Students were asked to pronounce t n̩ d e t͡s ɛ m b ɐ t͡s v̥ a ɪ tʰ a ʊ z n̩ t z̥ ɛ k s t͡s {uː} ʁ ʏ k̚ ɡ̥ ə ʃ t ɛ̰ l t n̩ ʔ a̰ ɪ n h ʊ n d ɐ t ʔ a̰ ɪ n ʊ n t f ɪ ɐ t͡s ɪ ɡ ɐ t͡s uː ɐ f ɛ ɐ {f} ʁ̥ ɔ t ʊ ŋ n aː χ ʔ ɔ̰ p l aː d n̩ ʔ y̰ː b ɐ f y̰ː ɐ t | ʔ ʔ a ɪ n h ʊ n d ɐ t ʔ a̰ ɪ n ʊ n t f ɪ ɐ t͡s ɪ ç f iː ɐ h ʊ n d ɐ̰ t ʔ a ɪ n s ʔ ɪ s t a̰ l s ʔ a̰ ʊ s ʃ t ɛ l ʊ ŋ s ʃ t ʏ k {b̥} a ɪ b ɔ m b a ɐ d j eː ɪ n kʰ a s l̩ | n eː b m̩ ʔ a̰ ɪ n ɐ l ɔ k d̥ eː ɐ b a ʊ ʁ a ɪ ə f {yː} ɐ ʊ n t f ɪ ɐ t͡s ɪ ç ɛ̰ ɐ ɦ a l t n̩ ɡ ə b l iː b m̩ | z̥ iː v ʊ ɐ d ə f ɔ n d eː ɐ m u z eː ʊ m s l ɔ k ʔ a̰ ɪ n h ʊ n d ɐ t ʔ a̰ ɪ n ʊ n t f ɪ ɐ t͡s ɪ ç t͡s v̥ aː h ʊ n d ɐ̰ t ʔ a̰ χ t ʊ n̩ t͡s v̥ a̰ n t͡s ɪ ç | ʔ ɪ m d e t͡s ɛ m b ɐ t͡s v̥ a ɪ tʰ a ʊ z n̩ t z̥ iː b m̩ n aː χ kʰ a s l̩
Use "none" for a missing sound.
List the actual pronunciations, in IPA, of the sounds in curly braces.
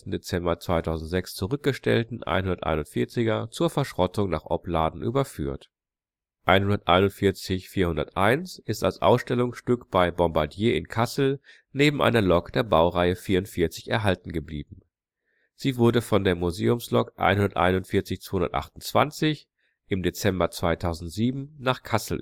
u, ʃ, b̥, iː

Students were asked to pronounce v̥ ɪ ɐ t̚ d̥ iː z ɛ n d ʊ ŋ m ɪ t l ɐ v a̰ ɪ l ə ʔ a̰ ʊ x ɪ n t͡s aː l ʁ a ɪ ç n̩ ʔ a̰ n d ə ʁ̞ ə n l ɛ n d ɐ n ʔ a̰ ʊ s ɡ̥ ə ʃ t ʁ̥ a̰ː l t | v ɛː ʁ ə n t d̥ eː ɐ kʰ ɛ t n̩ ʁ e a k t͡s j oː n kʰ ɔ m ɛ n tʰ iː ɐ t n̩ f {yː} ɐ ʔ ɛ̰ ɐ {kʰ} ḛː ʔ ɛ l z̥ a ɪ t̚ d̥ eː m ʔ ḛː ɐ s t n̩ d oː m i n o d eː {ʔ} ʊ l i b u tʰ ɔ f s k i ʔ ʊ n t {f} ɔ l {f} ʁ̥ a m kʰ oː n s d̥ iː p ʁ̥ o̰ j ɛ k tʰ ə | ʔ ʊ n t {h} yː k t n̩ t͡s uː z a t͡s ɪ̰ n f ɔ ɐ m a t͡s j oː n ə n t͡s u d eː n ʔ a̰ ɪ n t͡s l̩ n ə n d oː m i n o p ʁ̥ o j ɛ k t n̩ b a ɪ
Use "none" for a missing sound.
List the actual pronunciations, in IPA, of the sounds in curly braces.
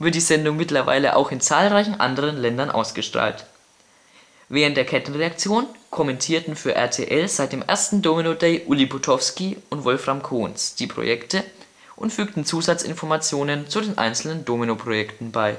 yː, tʰ, ʔ, v, f, f

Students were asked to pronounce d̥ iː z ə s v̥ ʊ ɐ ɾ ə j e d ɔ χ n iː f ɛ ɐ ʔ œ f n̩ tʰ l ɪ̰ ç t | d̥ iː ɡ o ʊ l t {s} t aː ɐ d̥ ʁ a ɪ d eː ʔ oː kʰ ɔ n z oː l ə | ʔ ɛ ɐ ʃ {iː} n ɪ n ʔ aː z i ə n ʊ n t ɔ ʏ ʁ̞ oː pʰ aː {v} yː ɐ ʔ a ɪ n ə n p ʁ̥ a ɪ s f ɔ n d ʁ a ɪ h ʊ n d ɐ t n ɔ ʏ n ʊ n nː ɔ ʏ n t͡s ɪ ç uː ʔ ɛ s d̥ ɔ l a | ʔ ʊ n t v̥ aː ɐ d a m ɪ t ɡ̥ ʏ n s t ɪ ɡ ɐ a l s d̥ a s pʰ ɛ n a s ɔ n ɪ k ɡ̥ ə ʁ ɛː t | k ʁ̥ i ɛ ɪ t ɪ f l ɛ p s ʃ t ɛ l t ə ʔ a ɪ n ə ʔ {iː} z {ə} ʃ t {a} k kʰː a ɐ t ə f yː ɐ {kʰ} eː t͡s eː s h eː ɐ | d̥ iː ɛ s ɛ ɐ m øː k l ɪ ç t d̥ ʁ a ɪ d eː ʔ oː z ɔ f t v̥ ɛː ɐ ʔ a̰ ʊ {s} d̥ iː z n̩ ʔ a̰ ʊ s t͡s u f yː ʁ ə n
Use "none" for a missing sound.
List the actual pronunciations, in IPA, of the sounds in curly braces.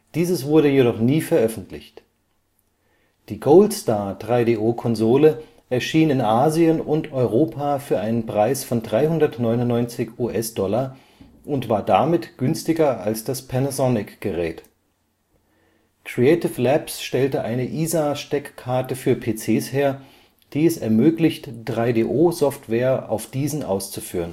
s, iː, f, iː, a, ɛ, pʰ, f

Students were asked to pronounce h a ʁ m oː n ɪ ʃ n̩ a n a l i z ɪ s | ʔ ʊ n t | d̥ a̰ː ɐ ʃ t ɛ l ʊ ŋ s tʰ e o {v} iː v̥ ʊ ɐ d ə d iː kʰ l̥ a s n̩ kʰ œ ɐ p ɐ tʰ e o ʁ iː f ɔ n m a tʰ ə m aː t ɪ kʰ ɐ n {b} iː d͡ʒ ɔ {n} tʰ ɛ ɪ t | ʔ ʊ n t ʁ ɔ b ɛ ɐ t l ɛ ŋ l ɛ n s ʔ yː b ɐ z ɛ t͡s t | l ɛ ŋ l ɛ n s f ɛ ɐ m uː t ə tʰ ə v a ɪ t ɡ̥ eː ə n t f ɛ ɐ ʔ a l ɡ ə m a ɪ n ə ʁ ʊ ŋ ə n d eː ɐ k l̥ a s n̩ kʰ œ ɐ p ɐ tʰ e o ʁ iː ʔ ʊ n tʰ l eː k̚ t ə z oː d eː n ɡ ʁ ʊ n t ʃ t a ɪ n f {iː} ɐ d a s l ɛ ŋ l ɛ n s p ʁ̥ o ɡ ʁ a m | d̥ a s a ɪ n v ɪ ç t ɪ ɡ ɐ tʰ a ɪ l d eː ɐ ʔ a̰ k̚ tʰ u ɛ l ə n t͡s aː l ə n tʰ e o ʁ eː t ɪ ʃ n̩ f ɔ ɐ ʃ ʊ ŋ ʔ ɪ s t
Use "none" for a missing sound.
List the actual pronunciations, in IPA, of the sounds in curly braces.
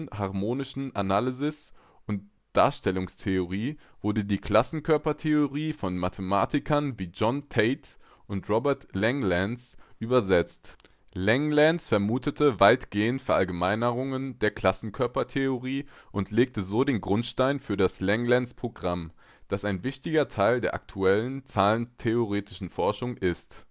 ʁ, v, n, yː

